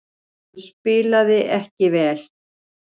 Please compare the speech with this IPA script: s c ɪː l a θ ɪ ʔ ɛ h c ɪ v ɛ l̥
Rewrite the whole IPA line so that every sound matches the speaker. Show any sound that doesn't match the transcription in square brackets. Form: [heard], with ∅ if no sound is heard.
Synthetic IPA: s [p] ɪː l a [ð] ɪ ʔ ɛ h c ɪ v [ɛː] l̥